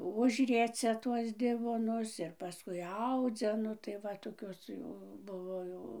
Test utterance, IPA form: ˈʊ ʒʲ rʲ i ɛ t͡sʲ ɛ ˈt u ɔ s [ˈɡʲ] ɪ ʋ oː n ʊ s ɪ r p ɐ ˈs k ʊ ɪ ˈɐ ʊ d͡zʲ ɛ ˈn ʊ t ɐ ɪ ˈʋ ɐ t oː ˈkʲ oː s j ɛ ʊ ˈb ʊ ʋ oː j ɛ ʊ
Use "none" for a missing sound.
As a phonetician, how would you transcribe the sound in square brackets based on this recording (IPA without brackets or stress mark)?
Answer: dʲ